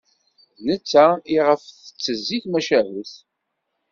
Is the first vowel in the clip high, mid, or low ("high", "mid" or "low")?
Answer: mid